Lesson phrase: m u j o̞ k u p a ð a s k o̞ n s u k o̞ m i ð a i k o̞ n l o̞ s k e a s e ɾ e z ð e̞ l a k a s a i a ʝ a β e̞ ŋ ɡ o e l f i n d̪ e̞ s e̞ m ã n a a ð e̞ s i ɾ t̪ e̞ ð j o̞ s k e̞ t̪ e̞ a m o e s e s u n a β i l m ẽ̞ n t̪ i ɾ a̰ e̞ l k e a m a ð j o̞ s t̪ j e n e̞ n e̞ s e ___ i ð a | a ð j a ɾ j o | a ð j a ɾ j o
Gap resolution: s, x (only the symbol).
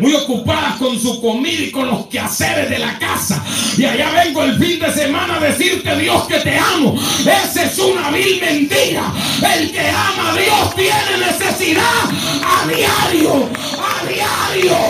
s